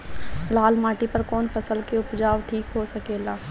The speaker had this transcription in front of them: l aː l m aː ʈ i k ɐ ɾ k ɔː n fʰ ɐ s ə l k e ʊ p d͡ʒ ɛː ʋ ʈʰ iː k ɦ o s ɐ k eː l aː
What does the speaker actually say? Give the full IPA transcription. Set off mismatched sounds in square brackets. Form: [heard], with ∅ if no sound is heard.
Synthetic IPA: l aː l m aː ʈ i [p] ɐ ɾ k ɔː n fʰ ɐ s ə l k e ʊ p d͡ʒ [aː] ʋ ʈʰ iː k ɦ o s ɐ k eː l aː